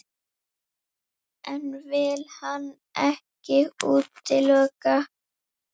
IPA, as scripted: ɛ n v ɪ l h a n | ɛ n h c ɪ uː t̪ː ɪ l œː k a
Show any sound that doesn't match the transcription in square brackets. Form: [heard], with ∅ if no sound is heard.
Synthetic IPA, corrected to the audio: ɛ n v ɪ l h a n | ɛ [∅] h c ɪ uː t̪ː ɪ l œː k a